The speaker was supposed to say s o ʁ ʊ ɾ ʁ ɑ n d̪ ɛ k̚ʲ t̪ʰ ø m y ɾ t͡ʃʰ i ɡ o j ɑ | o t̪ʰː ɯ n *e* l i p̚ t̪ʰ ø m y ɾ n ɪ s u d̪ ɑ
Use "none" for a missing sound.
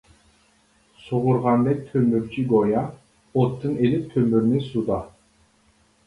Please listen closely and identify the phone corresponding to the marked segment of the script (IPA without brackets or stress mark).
e